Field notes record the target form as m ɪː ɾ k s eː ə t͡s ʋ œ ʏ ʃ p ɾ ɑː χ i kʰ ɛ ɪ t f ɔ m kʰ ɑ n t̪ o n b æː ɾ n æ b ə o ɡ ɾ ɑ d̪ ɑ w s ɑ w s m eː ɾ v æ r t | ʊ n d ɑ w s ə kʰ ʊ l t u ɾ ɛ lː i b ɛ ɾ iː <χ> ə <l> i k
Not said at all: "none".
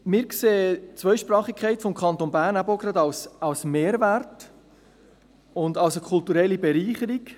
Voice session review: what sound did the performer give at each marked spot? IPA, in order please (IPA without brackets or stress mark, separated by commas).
χ, ɾ